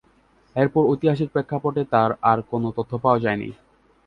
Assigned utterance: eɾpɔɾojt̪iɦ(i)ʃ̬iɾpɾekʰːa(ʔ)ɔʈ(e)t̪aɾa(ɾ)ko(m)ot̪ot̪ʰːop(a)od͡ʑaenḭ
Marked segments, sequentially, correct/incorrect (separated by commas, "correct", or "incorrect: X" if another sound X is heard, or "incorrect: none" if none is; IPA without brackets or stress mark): incorrect: a, incorrect: p, correct, correct, incorrect: n, correct